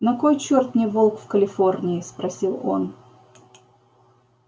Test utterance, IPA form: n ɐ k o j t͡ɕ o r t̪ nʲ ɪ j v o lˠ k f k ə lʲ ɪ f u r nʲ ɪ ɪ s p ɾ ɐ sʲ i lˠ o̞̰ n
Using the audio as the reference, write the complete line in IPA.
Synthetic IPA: n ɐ k o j t͡ɕ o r t̪ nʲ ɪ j v o lˠ k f k ə lʲ ɪ f o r nʲ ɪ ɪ s p ɾ ɐ sʲ i lˠ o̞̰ n